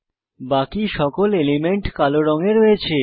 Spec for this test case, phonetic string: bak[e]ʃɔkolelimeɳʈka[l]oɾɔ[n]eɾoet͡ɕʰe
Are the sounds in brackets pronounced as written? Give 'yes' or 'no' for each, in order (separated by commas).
no, yes, no